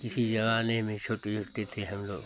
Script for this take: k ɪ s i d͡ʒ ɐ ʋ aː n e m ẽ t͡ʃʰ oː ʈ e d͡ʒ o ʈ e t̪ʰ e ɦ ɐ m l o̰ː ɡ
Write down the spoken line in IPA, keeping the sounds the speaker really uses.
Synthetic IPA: k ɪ s i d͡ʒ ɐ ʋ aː n e m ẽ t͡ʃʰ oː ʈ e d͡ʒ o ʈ e t̪ʰ e ɦ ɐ m l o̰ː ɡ